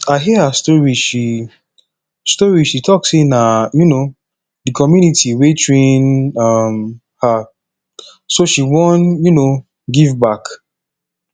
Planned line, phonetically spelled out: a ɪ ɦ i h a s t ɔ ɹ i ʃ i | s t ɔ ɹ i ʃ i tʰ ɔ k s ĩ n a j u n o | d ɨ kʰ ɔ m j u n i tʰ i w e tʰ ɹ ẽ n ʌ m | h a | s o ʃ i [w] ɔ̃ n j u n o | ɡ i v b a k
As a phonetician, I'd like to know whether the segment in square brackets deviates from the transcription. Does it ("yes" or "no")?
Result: no